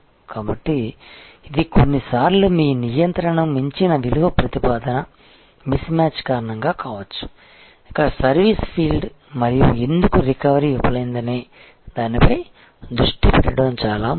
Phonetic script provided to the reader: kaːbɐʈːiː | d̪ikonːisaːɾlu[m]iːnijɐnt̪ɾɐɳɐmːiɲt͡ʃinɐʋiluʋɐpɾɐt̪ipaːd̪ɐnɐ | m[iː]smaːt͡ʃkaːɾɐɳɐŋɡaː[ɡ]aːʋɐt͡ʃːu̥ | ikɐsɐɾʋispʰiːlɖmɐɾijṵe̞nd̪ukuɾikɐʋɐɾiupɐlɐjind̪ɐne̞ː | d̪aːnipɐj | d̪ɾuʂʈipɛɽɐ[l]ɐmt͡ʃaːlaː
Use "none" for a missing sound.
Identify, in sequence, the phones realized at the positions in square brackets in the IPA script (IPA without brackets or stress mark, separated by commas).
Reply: m, i, k, ɽ